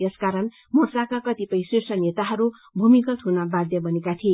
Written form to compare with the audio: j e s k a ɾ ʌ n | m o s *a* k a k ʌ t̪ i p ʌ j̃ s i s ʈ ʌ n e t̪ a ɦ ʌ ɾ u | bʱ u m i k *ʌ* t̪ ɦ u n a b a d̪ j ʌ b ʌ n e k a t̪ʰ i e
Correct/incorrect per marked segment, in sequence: correct, correct

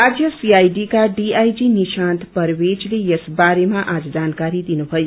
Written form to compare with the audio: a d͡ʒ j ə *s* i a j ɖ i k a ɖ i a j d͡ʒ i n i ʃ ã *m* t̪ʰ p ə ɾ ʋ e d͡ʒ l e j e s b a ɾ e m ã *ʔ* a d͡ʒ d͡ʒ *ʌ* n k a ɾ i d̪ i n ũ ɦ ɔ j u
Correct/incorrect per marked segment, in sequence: correct, incorrect, correct, incorrect

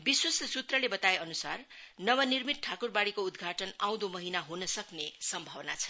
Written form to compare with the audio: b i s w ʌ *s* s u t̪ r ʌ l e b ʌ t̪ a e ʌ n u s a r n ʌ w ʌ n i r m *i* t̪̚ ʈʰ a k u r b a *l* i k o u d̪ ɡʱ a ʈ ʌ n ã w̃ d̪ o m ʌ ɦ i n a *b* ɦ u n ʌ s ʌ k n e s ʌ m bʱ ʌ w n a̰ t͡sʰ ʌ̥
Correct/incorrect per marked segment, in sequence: correct, correct, incorrect, incorrect

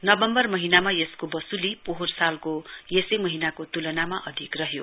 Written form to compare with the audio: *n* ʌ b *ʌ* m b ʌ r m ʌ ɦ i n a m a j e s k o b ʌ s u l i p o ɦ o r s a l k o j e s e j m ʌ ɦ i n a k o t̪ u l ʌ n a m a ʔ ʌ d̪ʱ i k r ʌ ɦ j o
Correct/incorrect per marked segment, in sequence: correct, correct

